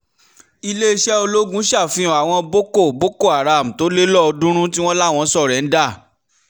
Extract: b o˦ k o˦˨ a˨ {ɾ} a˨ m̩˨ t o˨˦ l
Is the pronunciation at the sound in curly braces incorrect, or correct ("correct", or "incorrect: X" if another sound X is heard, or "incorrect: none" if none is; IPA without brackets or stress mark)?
correct